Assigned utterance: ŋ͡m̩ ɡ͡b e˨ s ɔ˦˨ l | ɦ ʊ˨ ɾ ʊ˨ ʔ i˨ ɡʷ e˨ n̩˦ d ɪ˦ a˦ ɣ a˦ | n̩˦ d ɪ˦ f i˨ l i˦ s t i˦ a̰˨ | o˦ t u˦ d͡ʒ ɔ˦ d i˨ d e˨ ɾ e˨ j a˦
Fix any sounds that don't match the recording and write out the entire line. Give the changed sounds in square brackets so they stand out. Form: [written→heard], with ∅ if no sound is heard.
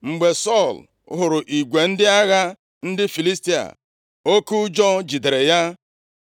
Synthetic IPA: ŋ͡m̩ ɡ͡b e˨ s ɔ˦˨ l | ɦ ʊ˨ ɾ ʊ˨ ʔ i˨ ɡʷ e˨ n̩˦ d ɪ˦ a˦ ɣ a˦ | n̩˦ d ɪ˦ f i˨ l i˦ s t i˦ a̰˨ | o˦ [t→k] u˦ d͡ʒ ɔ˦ [d→d͡ʒ] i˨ d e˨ ɾ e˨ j a˦